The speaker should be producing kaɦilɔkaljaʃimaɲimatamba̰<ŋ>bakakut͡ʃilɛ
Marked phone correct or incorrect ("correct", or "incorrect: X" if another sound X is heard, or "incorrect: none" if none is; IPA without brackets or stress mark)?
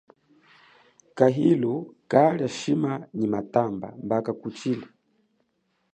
incorrect: m